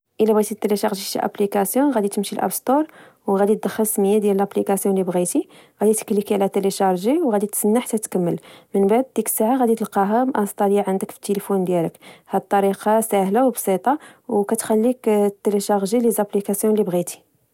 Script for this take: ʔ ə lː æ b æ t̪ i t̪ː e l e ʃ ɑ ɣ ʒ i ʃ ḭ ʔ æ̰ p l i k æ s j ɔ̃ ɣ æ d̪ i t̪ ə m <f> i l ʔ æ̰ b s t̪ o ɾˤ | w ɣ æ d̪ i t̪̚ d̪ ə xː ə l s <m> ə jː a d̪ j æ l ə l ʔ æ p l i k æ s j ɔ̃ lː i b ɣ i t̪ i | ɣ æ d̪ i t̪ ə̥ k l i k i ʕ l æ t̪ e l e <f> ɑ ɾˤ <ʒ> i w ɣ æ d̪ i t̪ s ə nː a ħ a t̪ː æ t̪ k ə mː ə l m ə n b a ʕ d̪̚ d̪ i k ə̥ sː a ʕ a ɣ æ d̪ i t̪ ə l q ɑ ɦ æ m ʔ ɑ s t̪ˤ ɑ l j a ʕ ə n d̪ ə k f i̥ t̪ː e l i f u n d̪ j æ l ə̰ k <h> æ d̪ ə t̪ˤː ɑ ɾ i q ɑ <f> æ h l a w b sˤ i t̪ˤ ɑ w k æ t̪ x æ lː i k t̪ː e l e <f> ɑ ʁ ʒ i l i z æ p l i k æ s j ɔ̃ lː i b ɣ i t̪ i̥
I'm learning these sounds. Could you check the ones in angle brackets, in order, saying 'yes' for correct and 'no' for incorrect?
no, yes, no, yes, yes, no, no

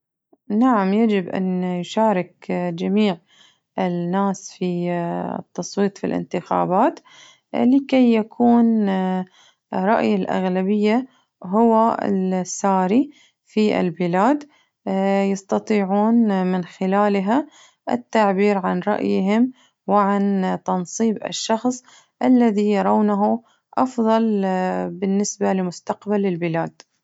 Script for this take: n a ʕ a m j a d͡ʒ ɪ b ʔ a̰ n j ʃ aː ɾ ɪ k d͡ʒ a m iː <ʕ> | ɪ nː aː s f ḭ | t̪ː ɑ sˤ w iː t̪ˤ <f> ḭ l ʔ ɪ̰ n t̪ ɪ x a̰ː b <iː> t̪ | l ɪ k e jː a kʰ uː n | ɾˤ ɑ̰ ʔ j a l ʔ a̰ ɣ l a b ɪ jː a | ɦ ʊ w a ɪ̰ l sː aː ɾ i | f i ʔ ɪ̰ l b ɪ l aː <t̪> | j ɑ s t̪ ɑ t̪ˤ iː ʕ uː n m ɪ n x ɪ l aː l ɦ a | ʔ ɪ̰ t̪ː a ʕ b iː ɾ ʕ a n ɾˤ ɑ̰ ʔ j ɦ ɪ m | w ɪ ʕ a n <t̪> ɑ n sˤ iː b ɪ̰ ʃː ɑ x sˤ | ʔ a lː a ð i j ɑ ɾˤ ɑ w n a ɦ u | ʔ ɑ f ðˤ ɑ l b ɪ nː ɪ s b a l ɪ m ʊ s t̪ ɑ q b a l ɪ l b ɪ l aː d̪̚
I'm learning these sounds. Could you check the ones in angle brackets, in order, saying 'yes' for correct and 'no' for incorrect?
yes, yes, no, no, yes

